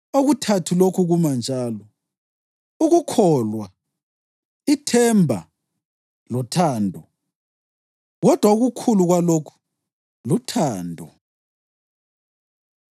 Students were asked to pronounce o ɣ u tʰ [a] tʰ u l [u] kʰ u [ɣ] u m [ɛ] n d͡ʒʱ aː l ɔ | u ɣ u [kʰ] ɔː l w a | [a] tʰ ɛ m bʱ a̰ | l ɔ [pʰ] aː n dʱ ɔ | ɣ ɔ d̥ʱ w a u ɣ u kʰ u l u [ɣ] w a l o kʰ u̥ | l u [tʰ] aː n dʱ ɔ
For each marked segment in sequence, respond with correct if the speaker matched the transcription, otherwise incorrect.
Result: correct, incorrect, correct, incorrect, correct, incorrect, incorrect, correct, correct

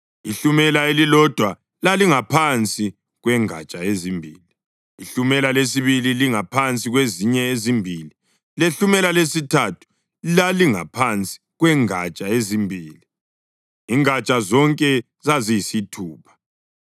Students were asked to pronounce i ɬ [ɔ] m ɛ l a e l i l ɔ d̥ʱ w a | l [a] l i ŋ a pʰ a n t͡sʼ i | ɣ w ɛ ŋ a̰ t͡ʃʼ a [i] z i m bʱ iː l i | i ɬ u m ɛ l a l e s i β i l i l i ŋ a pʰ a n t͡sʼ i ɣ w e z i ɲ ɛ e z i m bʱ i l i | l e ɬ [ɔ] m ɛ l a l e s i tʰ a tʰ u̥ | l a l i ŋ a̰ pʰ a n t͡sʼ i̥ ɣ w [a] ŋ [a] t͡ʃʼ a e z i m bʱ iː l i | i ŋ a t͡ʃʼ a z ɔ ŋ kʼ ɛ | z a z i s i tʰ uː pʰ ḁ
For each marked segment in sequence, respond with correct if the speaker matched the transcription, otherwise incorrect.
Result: incorrect, correct, incorrect, incorrect, incorrect, correct

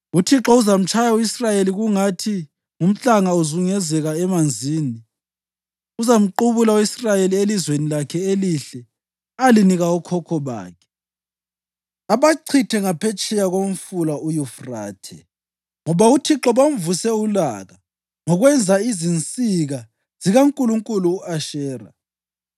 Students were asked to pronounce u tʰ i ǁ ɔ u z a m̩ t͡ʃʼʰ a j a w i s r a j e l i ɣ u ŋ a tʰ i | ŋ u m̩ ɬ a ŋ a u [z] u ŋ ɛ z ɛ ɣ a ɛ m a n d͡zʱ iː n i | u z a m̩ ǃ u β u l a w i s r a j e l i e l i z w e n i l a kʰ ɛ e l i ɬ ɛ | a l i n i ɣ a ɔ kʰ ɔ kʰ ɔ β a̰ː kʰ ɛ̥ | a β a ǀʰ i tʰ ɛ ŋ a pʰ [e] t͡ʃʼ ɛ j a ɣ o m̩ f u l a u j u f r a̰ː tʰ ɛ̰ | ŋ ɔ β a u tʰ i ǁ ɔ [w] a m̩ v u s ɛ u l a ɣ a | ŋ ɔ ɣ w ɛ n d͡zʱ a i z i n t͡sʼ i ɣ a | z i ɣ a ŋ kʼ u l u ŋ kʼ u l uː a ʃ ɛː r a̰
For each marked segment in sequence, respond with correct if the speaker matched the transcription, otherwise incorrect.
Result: correct, incorrect, incorrect

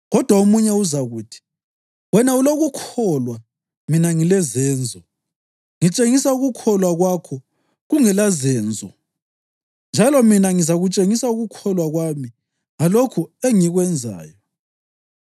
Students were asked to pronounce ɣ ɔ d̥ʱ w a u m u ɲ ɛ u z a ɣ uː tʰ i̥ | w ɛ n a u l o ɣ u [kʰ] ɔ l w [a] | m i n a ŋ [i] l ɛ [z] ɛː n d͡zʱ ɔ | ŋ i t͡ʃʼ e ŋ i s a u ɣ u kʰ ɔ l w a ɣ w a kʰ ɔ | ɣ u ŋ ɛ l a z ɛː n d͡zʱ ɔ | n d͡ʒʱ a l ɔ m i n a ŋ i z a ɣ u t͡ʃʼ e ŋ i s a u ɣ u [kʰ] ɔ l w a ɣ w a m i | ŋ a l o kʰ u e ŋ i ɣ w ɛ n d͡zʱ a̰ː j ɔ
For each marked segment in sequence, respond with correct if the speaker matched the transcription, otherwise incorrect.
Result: correct, correct, correct, correct, correct

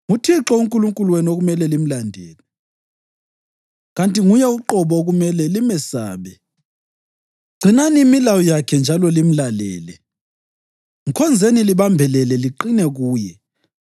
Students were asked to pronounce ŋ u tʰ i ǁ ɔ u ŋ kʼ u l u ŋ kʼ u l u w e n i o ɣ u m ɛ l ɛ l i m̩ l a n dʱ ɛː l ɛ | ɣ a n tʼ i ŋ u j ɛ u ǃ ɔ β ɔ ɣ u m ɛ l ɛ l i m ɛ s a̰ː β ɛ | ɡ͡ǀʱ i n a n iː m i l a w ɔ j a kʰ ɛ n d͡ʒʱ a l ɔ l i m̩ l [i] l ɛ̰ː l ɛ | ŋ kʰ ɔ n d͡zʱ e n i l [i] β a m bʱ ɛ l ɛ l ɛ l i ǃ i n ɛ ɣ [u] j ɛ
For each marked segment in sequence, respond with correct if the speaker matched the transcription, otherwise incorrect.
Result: incorrect, correct, incorrect

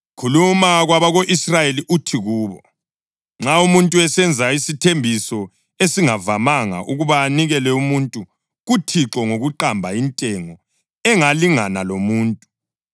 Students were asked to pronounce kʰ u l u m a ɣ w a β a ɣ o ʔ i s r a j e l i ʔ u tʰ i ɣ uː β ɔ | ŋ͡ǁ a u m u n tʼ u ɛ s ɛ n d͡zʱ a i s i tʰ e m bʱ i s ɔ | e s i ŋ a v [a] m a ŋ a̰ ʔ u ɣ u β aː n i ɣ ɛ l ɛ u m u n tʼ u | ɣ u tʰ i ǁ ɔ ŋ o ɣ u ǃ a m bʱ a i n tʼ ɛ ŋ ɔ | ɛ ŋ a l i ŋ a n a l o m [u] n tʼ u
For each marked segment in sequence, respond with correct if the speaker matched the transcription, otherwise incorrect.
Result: correct, incorrect

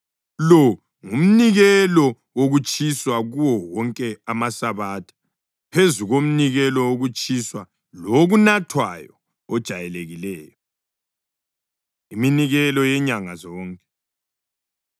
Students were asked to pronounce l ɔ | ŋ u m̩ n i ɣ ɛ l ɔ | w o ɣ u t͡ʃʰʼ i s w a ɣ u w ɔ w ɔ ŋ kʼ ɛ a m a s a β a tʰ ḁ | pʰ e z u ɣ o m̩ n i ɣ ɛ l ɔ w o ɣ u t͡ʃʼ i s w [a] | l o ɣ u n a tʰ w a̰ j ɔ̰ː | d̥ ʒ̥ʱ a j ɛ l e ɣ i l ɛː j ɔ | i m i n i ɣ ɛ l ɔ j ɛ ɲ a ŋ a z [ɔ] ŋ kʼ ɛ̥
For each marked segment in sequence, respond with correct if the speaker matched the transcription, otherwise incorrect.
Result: correct, incorrect

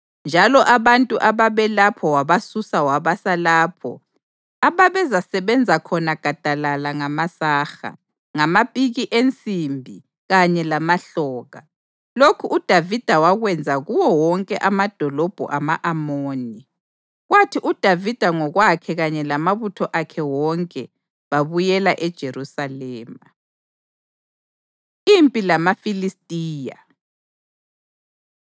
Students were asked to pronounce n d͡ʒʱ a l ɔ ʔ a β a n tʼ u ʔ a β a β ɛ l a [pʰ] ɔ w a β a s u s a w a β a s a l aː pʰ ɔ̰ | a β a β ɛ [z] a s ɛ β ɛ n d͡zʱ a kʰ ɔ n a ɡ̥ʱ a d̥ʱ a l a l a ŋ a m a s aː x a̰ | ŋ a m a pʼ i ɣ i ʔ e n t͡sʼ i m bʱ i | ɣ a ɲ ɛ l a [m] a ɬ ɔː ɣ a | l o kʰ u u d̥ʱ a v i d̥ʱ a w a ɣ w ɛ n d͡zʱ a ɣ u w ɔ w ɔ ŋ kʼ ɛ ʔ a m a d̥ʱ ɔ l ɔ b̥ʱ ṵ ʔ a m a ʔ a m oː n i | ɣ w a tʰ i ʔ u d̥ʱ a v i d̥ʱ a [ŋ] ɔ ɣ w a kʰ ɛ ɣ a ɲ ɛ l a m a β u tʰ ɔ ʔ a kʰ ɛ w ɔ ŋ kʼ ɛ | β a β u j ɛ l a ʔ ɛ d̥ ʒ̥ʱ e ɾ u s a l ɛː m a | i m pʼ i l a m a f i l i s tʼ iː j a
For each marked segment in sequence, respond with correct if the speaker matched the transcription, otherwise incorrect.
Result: correct, correct, correct, correct

